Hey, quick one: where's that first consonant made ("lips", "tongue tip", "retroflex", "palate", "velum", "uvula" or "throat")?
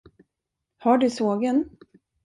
throat